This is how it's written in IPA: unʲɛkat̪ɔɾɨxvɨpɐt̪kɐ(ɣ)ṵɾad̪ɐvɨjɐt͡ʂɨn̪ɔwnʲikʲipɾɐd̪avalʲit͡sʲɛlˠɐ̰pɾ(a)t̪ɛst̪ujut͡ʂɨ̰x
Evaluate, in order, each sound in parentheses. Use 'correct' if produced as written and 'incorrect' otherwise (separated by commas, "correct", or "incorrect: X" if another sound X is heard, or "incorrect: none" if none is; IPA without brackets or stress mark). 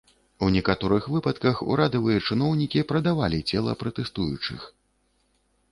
incorrect: x, incorrect: ɐ